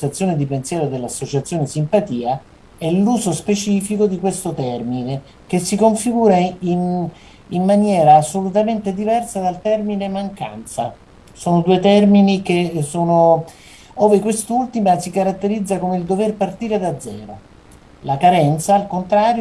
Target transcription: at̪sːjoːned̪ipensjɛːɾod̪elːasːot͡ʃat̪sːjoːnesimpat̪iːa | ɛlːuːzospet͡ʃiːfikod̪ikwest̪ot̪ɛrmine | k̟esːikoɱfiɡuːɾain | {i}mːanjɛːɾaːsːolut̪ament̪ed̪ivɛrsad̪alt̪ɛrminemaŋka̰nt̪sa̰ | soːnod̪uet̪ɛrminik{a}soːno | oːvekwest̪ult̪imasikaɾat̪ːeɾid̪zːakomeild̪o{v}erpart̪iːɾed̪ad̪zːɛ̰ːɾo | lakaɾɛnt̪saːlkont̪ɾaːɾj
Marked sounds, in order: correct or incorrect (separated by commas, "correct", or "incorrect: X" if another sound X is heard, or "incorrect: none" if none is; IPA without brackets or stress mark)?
correct, incorrect: e, correct